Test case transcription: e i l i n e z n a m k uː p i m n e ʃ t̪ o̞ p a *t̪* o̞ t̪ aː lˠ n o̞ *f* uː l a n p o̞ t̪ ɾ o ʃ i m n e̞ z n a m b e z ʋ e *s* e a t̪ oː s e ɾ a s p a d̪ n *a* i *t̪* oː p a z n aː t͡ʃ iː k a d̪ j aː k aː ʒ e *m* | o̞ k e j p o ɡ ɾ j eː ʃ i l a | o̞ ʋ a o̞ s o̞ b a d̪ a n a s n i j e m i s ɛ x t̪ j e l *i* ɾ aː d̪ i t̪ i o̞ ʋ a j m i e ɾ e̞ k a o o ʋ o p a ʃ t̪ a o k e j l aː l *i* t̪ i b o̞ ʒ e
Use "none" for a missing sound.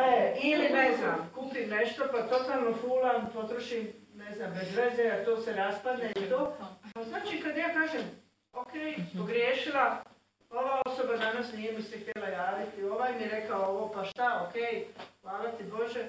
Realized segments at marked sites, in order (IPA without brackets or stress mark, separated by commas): t̪, f, z, e, t̪, m, a, a